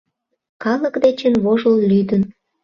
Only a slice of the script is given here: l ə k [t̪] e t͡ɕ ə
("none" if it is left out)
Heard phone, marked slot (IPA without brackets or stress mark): d̪